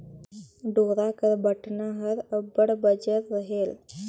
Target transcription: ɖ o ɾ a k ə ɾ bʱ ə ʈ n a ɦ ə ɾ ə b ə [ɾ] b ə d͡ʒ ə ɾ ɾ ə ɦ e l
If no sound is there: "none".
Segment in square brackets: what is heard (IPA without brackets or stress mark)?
ɽ